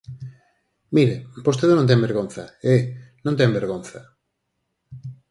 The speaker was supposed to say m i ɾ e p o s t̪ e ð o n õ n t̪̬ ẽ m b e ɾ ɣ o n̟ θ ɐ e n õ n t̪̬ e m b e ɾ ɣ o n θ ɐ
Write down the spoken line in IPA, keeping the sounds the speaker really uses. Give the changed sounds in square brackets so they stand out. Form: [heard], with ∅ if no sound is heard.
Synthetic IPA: m i ɾ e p o s t̪ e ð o n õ n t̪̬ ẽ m b e ɾ ɣ o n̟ θ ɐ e n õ n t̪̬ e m b e ɾ ɣ o n θ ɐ